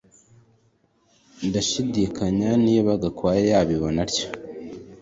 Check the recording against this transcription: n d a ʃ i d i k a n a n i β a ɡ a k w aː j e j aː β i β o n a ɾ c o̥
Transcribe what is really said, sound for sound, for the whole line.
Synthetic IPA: n d a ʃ i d i k a ɲ a n i β a ɡ a k w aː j e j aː β i β o n a ɾ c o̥